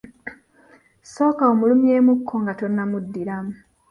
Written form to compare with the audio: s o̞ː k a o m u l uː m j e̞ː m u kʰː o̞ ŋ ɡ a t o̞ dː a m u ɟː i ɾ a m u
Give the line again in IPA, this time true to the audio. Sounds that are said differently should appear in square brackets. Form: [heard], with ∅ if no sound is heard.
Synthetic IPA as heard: s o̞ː k a o m u l [u] m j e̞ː m u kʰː o̞ ŋ ɡ a t o̞ [nː] a m u [dː] i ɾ a m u